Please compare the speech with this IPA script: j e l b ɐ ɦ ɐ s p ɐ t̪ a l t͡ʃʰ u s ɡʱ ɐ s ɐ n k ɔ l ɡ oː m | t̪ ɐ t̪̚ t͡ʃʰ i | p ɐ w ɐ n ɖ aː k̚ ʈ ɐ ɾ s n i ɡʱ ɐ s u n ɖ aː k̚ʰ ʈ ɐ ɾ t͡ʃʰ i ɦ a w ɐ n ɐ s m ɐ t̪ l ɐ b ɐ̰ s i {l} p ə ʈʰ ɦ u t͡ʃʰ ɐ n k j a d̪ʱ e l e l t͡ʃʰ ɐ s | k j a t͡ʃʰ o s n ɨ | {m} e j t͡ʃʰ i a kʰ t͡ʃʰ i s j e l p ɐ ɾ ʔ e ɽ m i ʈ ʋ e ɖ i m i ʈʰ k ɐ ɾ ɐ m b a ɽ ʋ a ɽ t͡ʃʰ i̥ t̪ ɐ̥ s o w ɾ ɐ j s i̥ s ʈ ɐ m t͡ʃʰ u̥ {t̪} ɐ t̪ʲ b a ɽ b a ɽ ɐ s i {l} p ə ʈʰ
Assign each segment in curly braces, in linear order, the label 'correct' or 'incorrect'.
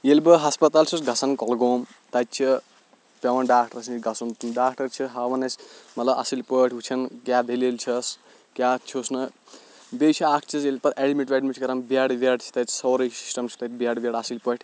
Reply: correct, incorrect: b, correct, correct

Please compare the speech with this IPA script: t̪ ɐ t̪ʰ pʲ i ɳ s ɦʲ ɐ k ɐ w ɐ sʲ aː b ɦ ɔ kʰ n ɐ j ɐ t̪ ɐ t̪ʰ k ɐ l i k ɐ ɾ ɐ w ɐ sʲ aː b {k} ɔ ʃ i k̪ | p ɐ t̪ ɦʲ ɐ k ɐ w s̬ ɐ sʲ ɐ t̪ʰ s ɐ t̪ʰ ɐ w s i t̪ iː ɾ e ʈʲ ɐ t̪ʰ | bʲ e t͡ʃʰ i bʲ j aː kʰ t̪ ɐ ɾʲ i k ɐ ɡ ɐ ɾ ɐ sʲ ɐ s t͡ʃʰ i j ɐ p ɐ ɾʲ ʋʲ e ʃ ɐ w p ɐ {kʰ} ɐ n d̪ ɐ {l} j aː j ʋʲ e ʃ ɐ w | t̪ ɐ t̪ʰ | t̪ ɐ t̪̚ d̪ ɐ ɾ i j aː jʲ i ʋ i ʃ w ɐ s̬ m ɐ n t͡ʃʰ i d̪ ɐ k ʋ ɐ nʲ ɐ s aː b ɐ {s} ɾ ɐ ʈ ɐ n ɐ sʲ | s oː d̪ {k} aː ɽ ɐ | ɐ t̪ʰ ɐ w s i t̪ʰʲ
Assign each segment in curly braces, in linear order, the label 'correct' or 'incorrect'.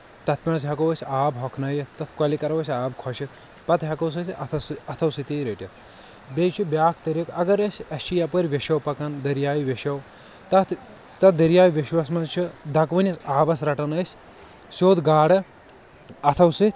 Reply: incorrect: kʰ, incorrect: k, incorrect: ɾ, correct, incorrect: ɡ

